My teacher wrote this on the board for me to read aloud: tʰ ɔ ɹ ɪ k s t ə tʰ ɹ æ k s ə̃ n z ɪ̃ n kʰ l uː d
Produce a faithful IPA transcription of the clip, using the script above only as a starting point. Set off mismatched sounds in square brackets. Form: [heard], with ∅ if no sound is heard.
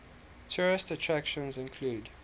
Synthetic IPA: tʰ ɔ ɹ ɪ [∅] s t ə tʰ ɹ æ k [ʃ] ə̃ n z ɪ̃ n kʰ l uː d

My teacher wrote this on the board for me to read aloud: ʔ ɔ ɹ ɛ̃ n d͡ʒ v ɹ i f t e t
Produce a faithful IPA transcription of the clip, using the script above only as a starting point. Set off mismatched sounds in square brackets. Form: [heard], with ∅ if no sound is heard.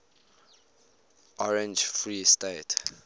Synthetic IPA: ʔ ɔ ɹ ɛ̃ n d͡ʒ [f] ɹ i [s] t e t

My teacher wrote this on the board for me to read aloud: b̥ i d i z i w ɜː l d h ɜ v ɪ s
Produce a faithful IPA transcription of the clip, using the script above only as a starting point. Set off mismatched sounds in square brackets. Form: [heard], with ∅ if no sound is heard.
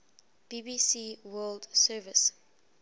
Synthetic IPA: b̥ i [b] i [s] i w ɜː l d [s] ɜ v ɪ s

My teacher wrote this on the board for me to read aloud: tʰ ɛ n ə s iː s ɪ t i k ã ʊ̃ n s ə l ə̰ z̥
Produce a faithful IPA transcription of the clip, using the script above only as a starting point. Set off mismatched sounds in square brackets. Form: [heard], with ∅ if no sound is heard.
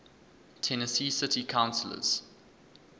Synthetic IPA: tʰ ɛ n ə s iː s ɪ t i [kʰ] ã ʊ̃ n s ə l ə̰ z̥

